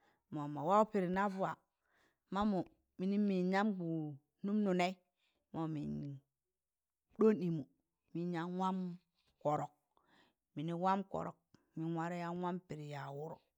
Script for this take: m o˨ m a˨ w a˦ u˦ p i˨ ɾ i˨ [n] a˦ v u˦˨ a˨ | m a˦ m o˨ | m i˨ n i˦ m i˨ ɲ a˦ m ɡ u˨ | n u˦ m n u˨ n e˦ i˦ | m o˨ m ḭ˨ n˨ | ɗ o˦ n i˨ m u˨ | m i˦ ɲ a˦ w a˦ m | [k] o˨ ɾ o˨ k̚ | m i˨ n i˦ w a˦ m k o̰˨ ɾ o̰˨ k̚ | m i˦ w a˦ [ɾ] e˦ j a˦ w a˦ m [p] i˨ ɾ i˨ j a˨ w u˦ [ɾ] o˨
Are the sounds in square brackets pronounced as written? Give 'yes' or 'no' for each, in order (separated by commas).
yes, yes, yes, yes, yes